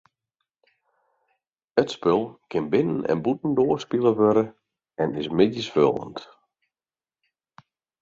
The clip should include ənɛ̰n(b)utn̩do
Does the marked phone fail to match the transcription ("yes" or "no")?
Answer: no